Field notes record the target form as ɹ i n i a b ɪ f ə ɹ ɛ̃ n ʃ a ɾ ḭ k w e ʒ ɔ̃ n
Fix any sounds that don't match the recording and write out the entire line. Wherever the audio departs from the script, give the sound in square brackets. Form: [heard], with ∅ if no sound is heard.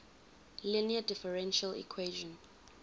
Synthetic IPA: [l] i n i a [d] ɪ f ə ɹ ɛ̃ n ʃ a [l] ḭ [kʰ] w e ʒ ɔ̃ n